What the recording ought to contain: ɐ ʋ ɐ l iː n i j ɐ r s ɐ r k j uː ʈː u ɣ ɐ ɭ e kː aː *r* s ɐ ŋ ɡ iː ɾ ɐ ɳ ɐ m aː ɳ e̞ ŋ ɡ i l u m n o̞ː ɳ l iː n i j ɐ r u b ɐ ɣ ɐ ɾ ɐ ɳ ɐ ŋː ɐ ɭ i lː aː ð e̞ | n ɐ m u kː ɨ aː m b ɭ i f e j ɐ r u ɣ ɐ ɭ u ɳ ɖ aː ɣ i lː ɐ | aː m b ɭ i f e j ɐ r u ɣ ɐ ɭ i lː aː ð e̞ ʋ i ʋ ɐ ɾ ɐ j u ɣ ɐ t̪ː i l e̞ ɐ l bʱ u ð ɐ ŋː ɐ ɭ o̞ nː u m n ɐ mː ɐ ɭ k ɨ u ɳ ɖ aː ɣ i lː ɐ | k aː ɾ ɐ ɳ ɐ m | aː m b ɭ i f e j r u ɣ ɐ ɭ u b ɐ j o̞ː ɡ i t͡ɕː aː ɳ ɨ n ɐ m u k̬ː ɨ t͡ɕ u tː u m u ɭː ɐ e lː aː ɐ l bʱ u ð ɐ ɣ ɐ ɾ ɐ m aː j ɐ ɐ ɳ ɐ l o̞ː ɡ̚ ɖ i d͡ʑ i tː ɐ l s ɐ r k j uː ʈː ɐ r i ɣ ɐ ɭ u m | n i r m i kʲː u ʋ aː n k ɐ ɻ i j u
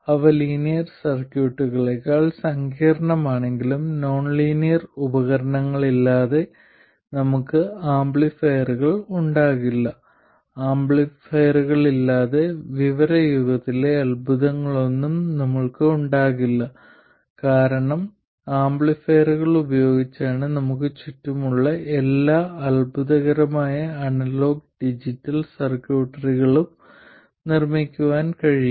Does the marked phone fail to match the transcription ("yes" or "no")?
yes